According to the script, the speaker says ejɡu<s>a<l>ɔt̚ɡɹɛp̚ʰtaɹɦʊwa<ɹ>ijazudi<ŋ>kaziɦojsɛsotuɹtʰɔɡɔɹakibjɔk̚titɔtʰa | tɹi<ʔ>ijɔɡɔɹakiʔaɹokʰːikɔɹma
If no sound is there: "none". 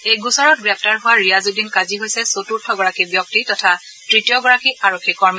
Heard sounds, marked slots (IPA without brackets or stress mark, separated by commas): s, ɹ, ɹ, n, t